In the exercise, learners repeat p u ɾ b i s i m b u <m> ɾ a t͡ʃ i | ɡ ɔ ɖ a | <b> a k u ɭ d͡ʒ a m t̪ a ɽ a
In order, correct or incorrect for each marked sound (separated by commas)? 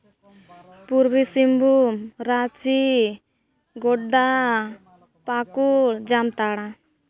correct, incorrect